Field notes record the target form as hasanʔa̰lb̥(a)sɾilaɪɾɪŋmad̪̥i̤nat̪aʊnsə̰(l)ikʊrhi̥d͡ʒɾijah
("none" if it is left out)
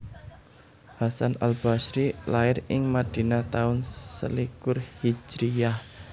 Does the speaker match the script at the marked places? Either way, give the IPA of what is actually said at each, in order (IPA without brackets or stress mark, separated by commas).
a, l